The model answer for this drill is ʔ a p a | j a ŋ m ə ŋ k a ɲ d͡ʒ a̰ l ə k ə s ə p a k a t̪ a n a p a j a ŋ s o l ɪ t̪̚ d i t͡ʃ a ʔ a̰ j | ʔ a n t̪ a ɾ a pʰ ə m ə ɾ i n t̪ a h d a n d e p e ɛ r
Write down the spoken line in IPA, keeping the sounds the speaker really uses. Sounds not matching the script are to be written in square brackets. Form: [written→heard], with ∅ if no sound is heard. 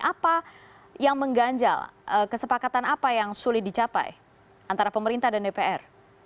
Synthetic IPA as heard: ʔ a p a | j a ŋ m ə ŋ [k→ɡ] a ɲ d͡ʒ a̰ l ə k ə s ə p a k a t̪ a n a p a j a ŋ s [o→u] l ɪ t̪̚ d i t͡ʃ a [ʔ→p] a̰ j | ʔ a n t̪ a ɾ a [pʰ→p] ə m ə ɾ i n t̪ a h d a n d e p e ɛ r